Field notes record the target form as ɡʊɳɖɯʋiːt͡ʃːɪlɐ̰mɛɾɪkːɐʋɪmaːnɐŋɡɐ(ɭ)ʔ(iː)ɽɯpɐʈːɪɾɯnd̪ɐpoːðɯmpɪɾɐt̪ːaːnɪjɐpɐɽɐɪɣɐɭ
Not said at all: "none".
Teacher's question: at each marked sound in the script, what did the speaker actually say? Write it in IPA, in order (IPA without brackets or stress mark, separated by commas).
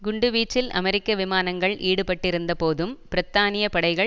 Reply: ɭ, iː